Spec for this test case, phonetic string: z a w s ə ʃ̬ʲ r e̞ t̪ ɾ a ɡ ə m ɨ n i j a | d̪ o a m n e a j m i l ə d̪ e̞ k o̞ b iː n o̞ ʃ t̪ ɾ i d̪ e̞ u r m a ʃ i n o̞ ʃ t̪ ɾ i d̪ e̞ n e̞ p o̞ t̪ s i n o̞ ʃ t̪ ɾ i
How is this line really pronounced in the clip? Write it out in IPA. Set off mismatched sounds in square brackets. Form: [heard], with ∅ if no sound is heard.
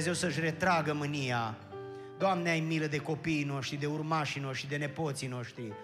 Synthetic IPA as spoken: z [e] w s ə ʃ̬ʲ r e̞ t̪ ɾ a ɡ ə m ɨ n i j a | d̪ o a m n e a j m i l ə d̪ e̞ k o̞ [p] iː n o̞ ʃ t̪ ɾ i d̪ e̞ u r m a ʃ i n o̞ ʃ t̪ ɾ i d̪ e̞ n e̞ p o̞ t̪ s i n o̞ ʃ t̪ ɾ i